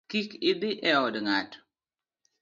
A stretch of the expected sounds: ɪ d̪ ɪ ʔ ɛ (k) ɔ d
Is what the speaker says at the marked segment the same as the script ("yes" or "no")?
no